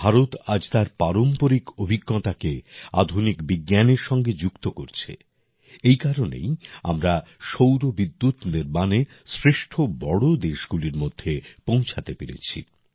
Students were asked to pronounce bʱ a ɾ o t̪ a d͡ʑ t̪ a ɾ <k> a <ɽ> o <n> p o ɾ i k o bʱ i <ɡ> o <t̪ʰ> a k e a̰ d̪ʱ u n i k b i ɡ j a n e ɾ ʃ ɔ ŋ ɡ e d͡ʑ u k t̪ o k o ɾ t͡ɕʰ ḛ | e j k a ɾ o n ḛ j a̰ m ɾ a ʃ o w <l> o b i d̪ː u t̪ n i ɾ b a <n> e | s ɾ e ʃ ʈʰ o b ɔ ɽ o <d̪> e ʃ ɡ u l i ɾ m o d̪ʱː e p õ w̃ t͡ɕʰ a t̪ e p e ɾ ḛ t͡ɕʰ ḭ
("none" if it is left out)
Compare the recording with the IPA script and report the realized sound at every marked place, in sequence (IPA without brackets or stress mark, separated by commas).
p, ɾ, m, ɡː, t̪, ɾ, n, d̪